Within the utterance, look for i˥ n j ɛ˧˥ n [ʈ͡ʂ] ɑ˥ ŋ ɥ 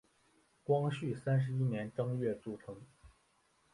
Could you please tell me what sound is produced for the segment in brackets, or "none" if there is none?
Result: ʈ͡ʂ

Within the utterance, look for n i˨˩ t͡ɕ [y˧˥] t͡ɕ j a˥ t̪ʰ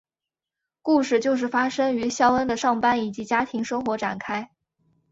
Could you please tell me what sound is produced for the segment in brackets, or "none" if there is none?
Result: i˧˥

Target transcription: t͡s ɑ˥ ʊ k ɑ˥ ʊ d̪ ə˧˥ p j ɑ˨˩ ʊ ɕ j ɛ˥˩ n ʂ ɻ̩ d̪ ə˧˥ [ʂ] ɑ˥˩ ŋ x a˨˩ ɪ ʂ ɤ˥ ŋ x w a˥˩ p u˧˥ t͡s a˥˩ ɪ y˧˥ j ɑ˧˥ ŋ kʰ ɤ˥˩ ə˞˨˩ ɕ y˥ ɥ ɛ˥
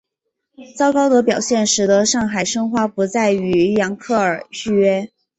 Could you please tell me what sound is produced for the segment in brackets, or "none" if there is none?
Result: ʂ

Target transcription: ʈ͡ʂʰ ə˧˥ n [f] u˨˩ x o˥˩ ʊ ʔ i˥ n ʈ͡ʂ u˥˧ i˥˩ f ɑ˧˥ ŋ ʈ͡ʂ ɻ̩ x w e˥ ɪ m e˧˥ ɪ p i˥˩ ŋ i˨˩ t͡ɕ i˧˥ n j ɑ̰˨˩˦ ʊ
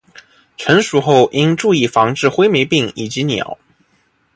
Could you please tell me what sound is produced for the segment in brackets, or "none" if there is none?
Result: ʂ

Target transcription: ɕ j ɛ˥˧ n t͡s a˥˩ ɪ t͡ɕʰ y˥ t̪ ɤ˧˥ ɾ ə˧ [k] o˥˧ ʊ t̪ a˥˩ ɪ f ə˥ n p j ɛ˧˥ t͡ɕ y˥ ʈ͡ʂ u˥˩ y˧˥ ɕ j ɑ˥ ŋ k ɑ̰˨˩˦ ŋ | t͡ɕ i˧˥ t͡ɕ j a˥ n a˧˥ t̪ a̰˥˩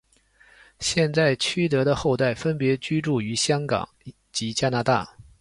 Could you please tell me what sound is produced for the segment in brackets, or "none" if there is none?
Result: x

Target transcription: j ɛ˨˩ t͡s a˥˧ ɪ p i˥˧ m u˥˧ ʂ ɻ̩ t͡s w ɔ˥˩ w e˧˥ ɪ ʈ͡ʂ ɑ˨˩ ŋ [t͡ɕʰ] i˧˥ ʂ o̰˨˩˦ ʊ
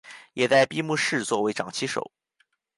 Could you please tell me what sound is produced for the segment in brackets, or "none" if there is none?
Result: t͡ɕʰ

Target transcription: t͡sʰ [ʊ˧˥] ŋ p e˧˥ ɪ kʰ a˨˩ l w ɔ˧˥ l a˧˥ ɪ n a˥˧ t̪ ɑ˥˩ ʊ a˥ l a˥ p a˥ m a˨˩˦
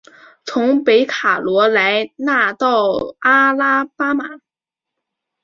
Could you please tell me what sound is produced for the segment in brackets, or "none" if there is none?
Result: ʊ˧˥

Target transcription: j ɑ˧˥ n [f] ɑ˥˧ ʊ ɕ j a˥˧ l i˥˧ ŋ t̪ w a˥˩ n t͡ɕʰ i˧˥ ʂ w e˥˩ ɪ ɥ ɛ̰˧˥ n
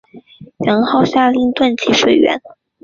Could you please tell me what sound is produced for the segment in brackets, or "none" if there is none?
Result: x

